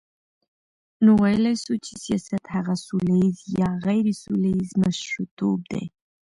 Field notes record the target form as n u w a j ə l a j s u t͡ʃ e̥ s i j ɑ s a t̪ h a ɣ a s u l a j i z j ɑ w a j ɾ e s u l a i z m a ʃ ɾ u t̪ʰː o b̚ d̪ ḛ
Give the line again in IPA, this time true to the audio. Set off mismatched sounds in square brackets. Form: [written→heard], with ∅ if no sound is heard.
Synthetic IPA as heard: n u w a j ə l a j s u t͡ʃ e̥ s i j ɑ s a t̪ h a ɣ a s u l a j i z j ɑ [w→ɣ] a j ɾ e s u l a i z m a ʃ ɾ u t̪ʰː o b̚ d̪ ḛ